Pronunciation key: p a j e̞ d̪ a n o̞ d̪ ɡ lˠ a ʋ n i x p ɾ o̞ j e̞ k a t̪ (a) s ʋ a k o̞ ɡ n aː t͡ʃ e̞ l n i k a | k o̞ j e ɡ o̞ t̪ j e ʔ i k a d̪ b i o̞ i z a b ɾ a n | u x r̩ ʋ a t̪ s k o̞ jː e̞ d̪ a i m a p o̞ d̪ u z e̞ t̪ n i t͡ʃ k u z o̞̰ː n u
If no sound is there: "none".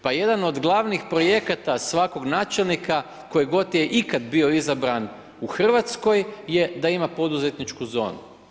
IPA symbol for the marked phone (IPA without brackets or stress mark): a